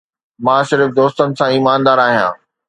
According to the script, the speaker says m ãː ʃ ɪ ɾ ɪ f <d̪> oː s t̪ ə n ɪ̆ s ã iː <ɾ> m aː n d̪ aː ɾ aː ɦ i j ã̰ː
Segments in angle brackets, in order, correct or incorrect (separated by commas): correct, incorrect